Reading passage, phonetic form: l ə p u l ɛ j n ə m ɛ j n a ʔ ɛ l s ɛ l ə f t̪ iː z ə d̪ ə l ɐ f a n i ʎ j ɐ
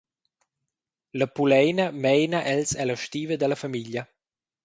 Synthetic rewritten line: l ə p u l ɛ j n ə m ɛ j n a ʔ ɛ l s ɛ l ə ʃ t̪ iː v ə d̪ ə l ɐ f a m i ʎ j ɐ